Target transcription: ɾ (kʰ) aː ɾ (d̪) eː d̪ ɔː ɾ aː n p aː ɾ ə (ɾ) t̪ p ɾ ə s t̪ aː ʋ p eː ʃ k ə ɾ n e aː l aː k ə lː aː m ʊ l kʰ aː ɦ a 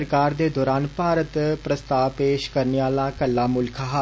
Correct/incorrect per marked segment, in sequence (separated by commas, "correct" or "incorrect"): incorrect, correct, incorrect